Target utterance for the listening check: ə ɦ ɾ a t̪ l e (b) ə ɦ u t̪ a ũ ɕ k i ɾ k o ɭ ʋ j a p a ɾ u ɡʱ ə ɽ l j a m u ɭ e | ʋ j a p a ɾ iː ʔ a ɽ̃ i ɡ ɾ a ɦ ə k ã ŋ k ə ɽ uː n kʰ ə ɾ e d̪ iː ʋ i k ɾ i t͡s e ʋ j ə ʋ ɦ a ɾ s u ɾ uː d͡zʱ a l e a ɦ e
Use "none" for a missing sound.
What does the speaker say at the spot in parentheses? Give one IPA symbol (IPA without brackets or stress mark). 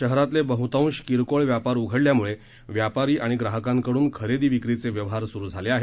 b